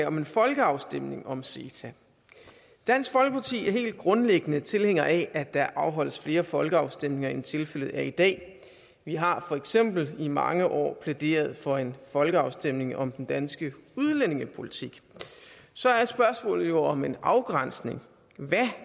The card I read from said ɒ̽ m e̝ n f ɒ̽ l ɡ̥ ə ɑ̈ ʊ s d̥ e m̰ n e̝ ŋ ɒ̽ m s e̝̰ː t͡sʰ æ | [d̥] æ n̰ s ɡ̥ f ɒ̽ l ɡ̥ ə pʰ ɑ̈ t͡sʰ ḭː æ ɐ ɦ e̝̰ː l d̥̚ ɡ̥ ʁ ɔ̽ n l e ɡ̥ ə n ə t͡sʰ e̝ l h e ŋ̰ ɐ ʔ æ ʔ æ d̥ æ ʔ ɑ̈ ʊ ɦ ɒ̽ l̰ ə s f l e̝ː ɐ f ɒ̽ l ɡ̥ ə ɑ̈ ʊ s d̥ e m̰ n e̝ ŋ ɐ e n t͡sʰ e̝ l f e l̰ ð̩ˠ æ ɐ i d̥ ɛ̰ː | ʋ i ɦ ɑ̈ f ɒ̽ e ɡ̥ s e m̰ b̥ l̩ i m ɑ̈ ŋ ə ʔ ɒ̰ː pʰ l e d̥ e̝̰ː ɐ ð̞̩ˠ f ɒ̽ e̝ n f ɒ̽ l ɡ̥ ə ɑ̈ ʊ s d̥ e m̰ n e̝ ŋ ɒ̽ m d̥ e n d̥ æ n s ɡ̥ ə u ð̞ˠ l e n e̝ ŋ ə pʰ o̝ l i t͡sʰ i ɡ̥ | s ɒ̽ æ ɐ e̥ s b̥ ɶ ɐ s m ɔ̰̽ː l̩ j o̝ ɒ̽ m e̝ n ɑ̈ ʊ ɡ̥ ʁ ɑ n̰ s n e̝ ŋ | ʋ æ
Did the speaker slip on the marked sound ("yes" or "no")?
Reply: no